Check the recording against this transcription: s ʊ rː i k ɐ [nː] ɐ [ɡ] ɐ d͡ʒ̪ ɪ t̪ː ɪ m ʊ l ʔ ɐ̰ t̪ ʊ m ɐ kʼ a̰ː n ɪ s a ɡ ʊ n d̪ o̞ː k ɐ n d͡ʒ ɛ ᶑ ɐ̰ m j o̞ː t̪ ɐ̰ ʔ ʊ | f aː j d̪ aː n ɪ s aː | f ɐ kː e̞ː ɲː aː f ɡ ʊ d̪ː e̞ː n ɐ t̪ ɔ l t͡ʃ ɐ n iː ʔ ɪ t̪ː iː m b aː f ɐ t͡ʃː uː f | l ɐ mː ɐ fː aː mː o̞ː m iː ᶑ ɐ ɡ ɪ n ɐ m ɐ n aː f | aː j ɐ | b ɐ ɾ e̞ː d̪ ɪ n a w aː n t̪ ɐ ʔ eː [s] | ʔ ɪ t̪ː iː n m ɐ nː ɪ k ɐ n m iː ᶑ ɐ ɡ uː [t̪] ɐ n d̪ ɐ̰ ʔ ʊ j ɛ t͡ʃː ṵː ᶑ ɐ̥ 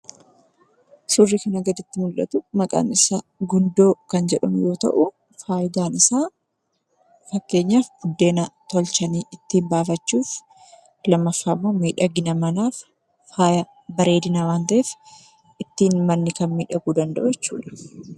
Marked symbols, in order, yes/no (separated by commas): no, yes, no, no